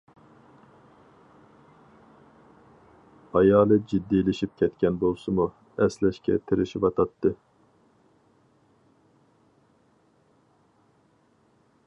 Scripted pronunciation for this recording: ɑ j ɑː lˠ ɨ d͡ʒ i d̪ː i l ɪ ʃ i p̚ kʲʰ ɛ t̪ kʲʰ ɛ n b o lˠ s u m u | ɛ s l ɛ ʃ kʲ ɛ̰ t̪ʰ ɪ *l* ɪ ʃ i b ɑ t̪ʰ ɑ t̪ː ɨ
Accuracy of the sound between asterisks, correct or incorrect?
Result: incorrect